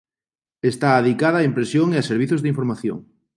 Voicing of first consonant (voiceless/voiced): voiceless